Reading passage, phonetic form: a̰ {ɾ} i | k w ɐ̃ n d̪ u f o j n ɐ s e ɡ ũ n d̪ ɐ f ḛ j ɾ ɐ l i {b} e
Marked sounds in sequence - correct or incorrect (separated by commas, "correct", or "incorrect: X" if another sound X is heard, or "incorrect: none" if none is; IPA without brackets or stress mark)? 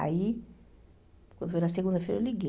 incorrect: none, incorrect: ɡ